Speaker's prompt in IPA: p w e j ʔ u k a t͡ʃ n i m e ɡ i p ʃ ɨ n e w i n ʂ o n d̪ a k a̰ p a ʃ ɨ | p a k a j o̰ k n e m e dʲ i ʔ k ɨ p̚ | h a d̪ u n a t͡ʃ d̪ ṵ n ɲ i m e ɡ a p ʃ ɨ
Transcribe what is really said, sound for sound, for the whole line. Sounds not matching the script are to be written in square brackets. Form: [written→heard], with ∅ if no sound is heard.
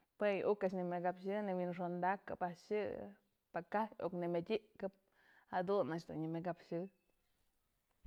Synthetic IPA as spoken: p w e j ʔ u k a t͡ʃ n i m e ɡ [i→a] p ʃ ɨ n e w i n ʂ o n d̪ a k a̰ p a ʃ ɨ | p a k a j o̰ k n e m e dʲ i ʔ k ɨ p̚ | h a d̪ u n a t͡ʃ d̪ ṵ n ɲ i m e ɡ a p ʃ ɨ